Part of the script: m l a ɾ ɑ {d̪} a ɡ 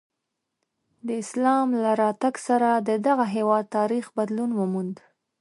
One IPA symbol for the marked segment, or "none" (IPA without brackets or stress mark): t̪